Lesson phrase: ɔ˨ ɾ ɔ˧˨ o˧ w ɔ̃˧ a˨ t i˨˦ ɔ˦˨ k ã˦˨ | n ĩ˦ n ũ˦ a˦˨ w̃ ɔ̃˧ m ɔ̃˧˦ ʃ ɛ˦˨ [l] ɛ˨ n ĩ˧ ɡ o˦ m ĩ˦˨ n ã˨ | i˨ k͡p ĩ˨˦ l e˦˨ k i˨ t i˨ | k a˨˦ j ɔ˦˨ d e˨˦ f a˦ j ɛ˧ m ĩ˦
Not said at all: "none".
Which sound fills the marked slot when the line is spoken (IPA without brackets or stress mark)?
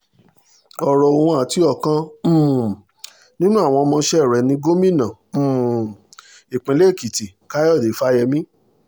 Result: ɾ